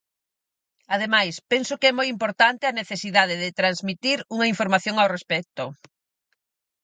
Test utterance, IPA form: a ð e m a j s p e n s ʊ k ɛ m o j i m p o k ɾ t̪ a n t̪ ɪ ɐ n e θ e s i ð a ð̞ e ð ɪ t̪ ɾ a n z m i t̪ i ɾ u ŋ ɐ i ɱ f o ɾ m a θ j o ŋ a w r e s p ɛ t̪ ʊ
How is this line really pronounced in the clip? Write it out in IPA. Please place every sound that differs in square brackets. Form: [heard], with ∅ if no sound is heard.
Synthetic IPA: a ð e m a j s p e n s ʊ k ɛ m o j i m p o [∅] ɾ t̪ a n t̪ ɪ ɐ n e θ e s i ð a ð̞ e ð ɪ t̪ ɾ a n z m i t̪ i ɾ u ŋ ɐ i ɱ f o ɾ m a θ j o ŋ a w r e s p ɛ t̪ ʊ

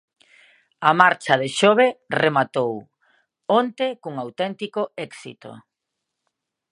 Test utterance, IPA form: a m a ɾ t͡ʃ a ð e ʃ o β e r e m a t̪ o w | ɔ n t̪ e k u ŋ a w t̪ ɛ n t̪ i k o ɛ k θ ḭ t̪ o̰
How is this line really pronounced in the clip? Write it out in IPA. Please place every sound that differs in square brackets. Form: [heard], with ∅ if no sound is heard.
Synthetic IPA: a m a ɾ t͡ʃ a ð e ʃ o β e r e m a t̪ o w | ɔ n t̪ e k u ŋ a w t̪ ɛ n t̪ i k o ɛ k [s] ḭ t̪ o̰

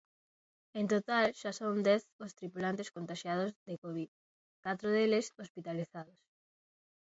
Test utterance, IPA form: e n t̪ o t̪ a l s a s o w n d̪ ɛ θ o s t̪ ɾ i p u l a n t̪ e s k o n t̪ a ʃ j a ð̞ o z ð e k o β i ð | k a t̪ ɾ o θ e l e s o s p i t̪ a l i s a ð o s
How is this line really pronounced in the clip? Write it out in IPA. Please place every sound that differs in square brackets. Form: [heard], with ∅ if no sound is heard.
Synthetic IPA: e n t̪ o t̪ a l [ʃ] a s o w n d̪ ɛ θ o s t̪ ɾ i p u l a n t̪ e s k o n t̪ a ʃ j a ð̞ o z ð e k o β i ð | k a t̪ ɾ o [ð] e l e s o s p i t̪ a l i [θ] a ð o s

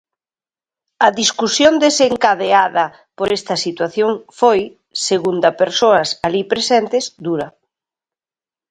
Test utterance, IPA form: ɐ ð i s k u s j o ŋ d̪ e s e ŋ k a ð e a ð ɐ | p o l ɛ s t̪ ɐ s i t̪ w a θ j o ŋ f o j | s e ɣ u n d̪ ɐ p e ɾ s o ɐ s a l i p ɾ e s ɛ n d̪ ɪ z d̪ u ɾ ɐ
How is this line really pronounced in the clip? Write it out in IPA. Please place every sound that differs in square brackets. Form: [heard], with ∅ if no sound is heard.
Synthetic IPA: ɐ ð i s k u s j o [n] d̪ e s e ŋ k a ð e a ð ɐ | p o [ɾ] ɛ s t̪ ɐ s i t̪ w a θ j o ŋ f o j | s e ɣ u n d̪ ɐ p e ɾ s o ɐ s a l i p ɾ e s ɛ n [t̪] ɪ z d̪ u ɾ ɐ

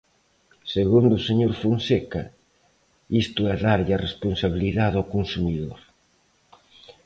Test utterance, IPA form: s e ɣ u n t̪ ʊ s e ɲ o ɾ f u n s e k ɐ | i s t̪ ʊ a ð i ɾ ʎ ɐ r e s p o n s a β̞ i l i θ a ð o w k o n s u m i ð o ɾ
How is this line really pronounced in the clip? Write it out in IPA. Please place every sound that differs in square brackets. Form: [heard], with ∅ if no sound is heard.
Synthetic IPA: s e ɣ u n [d̪] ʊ s e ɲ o ɾ f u n s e k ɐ | i s t̪ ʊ [ɛ] ð [a] ɾ ʎ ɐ r e s p o n s a β̞ i l i [ð] a ð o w k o n s u m i ð o ɾ

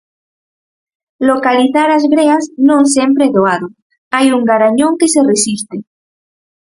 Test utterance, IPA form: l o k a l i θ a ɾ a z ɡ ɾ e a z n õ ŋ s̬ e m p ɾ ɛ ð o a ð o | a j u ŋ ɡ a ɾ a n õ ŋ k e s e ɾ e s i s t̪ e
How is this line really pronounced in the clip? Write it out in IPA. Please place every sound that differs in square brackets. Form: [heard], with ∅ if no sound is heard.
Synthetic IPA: l o k a l i θ a ɾ a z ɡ ɾ e a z n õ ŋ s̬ e m p ɾ [e] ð o a ð o | a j u ŋ ɡ a ɾ a [ɲ] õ ŋ k e s e [r] e s i s t̪ e

